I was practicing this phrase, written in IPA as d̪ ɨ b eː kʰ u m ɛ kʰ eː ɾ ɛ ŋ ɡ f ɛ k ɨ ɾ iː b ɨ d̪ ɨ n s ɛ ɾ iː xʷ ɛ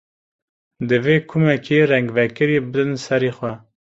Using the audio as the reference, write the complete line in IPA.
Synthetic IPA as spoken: d̪ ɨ v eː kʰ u m ɛ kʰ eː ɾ ɛ ŋ ɡ v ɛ k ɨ ɾ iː b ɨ d̪ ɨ n s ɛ ɾ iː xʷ ɛ